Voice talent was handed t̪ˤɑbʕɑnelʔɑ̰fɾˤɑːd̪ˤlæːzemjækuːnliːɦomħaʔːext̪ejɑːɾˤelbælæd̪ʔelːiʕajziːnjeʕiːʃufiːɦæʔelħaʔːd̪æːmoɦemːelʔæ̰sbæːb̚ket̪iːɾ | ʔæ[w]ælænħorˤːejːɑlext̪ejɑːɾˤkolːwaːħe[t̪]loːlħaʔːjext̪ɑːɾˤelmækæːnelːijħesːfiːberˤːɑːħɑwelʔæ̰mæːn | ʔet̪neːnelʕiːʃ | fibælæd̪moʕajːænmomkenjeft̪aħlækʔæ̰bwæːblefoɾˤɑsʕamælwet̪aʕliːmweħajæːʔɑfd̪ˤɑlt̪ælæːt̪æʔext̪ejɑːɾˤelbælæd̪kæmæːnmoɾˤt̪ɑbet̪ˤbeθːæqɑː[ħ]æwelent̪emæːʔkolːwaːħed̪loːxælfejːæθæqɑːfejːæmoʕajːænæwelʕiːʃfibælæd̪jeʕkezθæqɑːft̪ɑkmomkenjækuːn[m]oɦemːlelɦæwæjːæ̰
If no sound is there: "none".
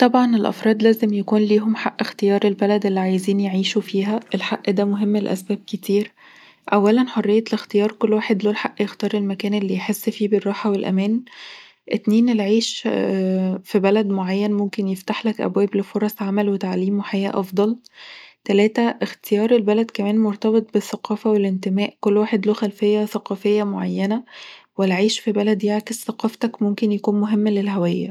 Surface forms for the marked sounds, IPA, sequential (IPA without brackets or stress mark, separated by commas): wː, d̪, f, m